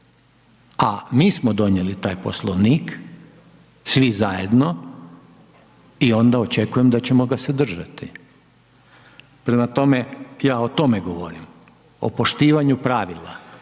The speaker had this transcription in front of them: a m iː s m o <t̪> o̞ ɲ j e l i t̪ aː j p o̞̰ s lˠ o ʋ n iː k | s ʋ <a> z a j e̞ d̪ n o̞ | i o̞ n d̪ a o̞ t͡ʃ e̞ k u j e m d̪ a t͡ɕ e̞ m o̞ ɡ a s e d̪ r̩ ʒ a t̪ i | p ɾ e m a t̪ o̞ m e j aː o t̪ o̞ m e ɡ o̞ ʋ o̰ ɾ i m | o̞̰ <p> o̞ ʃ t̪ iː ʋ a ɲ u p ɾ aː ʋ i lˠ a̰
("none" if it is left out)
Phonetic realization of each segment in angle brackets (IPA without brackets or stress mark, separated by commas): d̪, i, p